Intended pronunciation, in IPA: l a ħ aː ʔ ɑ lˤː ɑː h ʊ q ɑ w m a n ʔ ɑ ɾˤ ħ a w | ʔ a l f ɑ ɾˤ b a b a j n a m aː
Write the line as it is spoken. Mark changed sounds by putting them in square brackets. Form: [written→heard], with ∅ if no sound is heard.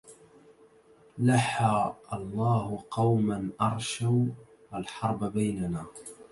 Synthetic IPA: l a ħ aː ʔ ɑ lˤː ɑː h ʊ q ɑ w m a n ʔ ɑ ɾˤ [ħ→ʃ] a w | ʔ a l [f→ħ] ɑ ɾˤ b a b a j n a [m→n] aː

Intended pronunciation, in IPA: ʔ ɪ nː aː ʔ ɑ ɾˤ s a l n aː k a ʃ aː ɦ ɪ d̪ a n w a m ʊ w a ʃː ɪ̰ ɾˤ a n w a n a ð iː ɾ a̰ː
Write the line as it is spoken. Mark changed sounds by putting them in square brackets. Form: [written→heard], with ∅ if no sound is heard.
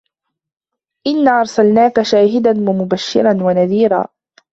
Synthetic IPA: ʔ ɪ nː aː ʔ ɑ ɾˤ s a l n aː k a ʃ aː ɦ ɪ d̪ a n w a m ʊ [w→b] a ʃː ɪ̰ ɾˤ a n w a n a ð iː ɾ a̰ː

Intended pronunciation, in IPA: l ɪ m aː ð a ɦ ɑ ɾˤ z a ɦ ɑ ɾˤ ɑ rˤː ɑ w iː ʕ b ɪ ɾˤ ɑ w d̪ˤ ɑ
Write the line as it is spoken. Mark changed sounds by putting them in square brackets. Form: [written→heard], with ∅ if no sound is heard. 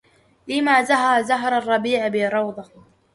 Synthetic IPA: l ɪ m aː [ð→z] a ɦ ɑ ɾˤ z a ɦ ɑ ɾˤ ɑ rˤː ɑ [w→b] iː ʕ b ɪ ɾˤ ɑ w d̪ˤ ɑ

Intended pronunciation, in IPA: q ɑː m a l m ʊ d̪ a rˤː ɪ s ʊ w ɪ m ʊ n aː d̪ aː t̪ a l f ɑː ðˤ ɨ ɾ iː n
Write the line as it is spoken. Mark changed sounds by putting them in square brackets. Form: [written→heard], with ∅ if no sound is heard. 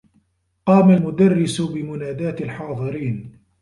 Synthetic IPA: q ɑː m a l m ʊ d̪ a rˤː ɪ s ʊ [w→b] ɪ m ʊ n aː d̪ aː t̪ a l [f→ħ] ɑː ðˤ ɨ ɾ iː n

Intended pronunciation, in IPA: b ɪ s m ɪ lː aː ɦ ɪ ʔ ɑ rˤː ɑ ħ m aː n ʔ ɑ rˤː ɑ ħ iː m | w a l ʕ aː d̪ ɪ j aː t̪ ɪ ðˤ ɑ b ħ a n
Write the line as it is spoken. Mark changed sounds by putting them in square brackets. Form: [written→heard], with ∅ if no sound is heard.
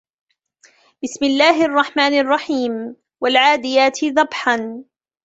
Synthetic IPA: b ɪ s m ɪ lː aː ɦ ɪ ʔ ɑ rˤː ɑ ħ m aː n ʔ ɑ rˤː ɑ ħ iː m | w a l ʕ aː d̪ ɪ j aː t̪ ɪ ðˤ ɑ b ħ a n

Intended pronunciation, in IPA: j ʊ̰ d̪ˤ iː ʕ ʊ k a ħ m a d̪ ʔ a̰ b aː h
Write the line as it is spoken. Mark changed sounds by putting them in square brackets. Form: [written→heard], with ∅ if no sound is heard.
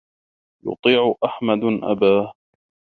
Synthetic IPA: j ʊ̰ [d̪ˤ→t̪ˤ] iː ʕ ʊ [k→ʔ] a ħ m a d̪ ʔ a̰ b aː h

